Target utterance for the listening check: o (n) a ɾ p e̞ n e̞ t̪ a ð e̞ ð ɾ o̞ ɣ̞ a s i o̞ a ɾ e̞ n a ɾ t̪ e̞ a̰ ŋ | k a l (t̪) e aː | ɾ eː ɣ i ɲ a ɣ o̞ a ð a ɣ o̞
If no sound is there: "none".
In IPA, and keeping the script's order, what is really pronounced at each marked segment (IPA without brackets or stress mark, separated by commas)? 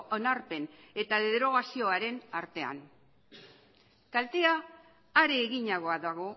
n, t̪